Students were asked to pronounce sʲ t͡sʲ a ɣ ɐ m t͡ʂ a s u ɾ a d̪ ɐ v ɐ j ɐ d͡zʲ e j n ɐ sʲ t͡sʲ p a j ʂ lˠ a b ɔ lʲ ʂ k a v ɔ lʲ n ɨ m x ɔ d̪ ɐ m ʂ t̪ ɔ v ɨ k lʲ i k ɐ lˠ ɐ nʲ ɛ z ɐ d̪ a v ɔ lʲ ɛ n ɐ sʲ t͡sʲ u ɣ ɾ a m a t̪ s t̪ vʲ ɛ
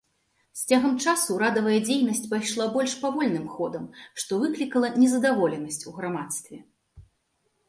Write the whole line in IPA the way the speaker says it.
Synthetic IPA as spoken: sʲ t͡sʲ a ɣ ɐ m t͡ʂ a s u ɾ a d̪ ɐ v ɐ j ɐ d͡zʲ e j n ɐ sʲ t͡sʲ p a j ʂ lˠ a b ɔ lʲ ʂ p a v ɔ lʲ n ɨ m x ɔ d̪ ɐ m ʂ t̪ ɔ v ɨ k lʲ i k ɐ lˠ ɐ nʲ ɛ z ɐ d̪ a v ɔ lʲ ɛ n ɐ sʲ t͡sʲ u ɣ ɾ a m a t̪ s t̪ vʲ ɛ